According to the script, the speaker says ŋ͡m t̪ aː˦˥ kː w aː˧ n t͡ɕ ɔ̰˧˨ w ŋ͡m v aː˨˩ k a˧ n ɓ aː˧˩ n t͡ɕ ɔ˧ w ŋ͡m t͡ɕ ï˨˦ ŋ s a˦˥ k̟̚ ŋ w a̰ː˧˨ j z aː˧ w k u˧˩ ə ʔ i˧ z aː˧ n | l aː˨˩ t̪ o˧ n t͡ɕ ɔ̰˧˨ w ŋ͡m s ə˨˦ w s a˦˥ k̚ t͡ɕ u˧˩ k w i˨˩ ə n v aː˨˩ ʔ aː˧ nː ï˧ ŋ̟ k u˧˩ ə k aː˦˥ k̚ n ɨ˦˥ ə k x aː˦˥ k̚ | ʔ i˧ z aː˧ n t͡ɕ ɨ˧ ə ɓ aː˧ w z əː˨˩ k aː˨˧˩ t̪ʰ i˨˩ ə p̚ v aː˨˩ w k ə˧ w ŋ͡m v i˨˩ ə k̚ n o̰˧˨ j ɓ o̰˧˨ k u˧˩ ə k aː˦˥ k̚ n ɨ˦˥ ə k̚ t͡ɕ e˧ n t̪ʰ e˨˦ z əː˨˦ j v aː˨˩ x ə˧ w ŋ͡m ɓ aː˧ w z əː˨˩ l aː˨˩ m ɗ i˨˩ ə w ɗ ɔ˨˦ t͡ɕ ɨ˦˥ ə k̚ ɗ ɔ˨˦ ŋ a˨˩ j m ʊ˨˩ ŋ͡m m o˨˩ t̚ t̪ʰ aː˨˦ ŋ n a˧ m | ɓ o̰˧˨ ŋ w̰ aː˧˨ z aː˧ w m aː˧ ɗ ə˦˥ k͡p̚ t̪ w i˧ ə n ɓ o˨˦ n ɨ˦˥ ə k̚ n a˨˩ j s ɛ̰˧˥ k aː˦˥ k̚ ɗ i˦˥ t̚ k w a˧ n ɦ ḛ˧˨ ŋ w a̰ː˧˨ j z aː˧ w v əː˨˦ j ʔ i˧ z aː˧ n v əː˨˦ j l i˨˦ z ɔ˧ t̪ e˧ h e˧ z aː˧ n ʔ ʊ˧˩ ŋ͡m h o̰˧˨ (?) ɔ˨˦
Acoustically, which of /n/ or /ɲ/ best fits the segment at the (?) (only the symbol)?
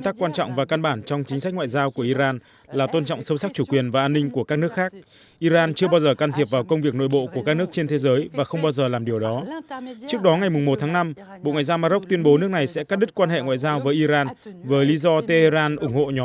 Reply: ɲ